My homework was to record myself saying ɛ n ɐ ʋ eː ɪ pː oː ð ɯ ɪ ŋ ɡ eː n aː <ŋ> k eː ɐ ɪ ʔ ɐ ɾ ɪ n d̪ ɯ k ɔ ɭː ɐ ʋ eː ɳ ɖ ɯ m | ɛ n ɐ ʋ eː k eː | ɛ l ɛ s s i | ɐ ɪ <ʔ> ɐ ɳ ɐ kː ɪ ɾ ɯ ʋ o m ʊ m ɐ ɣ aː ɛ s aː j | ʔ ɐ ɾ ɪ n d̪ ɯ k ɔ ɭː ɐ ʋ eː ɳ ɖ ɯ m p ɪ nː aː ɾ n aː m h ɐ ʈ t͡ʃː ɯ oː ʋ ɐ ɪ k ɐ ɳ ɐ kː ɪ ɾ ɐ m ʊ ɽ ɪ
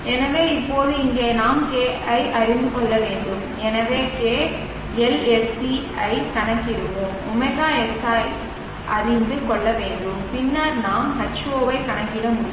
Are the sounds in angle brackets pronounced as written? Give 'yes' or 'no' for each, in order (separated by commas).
no, no